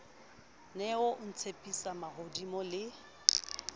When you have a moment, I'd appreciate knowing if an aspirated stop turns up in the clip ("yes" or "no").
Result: yes